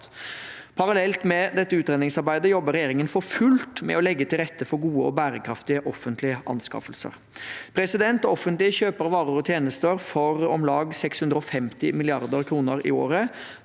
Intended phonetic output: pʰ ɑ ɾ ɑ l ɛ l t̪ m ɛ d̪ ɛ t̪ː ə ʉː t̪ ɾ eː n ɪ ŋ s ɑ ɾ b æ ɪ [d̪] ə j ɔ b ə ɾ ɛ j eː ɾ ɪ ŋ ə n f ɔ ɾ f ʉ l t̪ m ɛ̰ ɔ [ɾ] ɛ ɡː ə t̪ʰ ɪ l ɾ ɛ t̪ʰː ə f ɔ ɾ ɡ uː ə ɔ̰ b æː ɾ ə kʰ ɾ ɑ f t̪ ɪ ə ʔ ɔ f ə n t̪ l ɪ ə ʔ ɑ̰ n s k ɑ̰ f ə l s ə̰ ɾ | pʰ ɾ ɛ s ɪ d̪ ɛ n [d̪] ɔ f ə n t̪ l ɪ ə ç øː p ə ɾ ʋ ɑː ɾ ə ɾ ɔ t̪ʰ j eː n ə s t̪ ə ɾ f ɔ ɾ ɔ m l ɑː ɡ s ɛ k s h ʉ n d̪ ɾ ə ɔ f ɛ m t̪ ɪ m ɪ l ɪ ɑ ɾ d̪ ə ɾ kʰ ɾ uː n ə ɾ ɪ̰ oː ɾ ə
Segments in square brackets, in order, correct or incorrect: correct, incorrect: l, incorrect: t̪

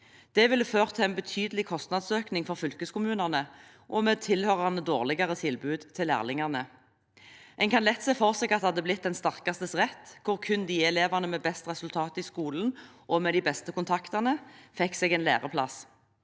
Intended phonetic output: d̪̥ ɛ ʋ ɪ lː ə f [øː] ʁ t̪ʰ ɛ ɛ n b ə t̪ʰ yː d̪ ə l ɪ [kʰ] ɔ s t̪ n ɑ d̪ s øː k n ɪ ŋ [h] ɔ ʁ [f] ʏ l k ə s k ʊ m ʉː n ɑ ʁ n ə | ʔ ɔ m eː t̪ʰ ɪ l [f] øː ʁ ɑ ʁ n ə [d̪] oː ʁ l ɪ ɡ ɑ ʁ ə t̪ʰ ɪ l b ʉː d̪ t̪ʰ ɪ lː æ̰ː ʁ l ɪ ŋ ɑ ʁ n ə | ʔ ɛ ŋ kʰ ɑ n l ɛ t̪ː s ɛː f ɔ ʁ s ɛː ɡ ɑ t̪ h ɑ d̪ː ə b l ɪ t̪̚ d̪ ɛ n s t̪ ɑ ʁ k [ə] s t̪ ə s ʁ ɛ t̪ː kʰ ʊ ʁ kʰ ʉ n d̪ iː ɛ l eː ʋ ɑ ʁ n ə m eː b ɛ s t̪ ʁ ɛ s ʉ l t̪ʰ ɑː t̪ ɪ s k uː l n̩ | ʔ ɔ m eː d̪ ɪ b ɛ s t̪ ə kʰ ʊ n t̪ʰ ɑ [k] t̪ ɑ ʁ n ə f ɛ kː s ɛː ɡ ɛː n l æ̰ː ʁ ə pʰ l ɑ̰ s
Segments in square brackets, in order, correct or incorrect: correct, correct, incorrect: f, correct, incorrect: h, correct, incorrect: ɑ, correct

